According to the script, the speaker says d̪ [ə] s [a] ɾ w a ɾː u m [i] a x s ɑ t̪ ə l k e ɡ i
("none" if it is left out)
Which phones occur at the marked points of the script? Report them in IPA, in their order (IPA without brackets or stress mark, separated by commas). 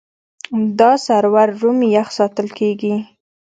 ɑ, a, j